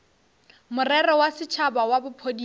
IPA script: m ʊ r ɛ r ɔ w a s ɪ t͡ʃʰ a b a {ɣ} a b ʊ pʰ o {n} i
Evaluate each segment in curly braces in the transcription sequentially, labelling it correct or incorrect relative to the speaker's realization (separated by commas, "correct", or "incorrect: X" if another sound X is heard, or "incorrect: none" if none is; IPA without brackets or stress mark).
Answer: incorrect: w, incorrect: d